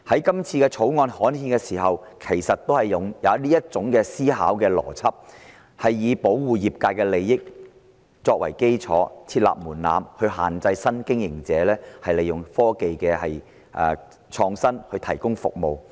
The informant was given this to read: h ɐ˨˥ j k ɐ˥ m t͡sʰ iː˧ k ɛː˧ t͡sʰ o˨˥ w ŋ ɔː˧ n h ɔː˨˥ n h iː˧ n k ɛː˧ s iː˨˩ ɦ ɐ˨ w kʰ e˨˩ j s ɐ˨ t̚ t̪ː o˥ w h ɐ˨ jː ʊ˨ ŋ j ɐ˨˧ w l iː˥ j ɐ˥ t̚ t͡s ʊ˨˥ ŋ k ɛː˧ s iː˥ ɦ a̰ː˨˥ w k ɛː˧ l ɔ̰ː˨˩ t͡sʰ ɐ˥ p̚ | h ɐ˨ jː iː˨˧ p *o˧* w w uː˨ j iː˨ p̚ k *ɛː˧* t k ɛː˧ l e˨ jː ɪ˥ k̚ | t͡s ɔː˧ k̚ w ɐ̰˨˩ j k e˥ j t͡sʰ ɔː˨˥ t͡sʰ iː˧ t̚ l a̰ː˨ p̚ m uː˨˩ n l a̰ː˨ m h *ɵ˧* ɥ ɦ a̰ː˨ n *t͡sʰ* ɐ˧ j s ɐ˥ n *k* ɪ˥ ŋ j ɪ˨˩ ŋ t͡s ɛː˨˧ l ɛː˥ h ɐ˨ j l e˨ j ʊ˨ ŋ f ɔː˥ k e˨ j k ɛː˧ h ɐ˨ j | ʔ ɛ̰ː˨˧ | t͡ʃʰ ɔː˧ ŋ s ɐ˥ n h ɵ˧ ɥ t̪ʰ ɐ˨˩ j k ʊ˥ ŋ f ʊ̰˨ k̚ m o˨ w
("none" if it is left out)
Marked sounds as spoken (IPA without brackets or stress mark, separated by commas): o˨˥, aː˧, ɵ˧, t͡s, k